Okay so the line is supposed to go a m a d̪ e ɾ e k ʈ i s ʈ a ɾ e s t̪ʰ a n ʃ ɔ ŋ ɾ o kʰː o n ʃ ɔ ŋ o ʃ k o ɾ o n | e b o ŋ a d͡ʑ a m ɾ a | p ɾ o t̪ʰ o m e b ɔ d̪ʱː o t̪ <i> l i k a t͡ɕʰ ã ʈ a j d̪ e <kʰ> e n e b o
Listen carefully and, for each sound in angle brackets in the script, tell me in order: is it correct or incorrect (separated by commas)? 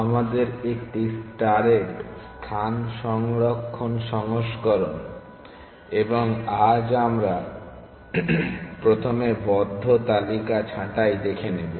incorrect, correct